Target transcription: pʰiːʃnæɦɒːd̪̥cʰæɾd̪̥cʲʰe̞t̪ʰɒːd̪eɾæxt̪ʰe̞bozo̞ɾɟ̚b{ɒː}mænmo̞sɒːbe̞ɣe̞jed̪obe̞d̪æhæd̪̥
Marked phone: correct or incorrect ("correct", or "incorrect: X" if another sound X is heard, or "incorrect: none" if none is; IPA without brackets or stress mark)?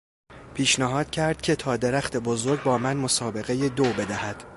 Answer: correct